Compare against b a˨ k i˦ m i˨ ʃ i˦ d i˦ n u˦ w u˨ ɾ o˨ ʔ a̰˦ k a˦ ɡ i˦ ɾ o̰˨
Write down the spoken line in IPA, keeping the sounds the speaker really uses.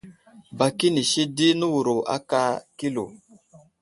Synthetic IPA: b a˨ k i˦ n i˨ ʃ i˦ d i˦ n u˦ w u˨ ɾ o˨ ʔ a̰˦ k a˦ k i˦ l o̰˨